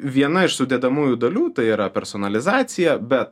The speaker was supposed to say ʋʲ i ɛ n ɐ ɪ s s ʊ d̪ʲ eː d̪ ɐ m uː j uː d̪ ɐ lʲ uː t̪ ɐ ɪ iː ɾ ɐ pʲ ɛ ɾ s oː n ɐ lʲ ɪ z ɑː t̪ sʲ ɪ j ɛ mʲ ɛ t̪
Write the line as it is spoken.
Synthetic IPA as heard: ʋʲ i ɛ n ɐ ɪ ʃ s ʊ d̪ʲ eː d̪ ɐ m uː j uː d̪ ɐ lʲ uː t̪ ɐ ɪ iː ɾ ɐ pʲ ɛ ɾ s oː n ɐ lʲ ɪ z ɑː t̪ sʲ ɪ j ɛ bʲ ɛ t̪